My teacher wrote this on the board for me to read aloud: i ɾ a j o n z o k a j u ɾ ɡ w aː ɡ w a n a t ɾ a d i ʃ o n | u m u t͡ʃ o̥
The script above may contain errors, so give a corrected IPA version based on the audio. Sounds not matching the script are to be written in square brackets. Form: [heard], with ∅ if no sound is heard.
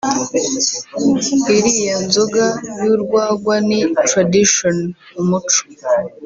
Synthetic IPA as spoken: i ɾ [i] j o n z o [ɡ] a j u ɾ ɡ w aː ɡ w a n [i] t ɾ a d i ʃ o n | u m u t͡ʃ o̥